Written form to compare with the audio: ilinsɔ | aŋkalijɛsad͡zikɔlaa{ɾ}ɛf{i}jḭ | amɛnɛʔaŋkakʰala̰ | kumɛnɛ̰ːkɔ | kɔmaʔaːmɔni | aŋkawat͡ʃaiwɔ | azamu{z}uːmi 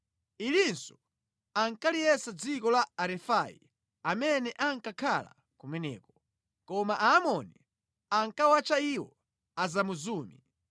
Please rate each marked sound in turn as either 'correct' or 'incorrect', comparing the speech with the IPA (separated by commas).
correct, incorrect, correct